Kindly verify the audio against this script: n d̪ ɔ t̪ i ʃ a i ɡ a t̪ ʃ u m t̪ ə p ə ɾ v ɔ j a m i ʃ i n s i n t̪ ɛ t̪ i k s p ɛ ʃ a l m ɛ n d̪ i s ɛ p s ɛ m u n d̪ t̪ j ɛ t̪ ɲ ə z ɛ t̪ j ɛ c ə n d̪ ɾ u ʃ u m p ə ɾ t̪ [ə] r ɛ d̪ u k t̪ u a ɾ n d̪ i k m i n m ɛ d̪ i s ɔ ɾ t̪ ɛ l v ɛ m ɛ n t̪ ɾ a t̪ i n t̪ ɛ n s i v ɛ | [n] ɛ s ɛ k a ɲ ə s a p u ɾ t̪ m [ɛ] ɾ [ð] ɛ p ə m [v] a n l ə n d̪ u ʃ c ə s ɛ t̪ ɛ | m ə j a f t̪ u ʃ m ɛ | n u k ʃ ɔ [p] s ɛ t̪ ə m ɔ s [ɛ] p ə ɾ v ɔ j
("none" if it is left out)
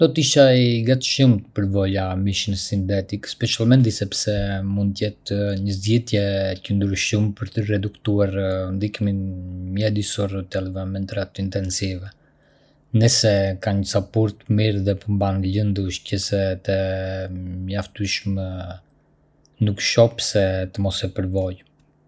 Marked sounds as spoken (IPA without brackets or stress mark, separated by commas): ə, n, i, ð, b, p, ɛ